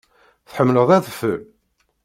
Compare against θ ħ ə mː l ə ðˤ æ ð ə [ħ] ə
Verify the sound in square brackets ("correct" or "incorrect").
incorrect